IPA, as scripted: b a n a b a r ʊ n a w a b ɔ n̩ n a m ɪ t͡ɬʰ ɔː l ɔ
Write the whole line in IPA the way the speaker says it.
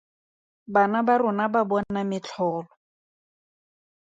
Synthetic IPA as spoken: b a n a b a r ʊ n a b a b ɔ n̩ n a m ɪ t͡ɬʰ ɔː l ɔ